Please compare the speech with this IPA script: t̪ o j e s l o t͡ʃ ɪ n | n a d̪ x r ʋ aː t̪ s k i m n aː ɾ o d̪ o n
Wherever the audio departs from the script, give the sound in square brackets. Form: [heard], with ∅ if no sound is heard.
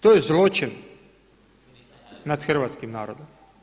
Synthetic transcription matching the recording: t̪ o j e [z] l o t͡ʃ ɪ n | n a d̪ x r ʋ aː t̪ s k i m n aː ɾ o d̪ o [m]